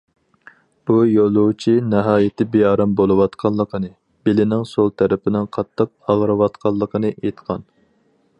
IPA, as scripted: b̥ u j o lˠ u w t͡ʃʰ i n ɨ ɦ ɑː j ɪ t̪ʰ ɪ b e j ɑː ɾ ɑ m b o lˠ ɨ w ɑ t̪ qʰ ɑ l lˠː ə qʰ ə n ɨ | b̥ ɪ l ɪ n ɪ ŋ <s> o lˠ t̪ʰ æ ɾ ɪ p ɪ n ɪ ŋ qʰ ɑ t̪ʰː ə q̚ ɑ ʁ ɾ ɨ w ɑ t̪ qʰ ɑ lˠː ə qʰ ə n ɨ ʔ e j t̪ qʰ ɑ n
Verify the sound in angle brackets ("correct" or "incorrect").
correct